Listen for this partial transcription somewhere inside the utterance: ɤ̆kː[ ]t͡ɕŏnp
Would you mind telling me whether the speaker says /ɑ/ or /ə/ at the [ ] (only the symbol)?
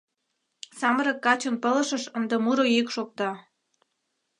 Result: ɑ